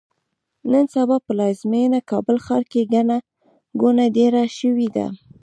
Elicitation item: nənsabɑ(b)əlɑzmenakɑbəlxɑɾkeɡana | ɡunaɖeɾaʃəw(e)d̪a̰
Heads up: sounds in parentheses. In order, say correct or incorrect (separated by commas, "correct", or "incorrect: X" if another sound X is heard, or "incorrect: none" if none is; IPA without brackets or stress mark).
incorrect: p, incorrect: i